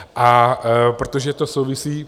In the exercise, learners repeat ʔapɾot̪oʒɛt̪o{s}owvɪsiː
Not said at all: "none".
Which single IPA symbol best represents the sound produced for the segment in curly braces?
s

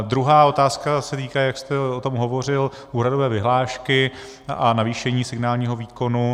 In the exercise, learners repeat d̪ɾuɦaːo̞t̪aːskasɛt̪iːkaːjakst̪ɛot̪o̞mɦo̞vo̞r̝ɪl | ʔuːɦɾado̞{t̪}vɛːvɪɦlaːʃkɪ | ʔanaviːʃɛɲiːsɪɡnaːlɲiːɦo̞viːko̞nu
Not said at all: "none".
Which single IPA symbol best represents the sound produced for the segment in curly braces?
none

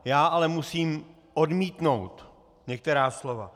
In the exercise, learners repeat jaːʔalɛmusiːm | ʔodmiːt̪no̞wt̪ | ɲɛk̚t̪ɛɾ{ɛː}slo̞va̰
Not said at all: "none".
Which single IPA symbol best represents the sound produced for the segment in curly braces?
aː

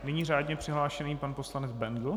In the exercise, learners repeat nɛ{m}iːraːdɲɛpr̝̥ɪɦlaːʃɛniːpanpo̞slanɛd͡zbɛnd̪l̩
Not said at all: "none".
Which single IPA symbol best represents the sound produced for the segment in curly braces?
ɲ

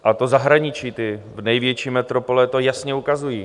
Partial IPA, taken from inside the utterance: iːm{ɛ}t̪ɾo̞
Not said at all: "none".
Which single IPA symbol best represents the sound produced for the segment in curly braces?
ɛ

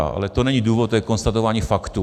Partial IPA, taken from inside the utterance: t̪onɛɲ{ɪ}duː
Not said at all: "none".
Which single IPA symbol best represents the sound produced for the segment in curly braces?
i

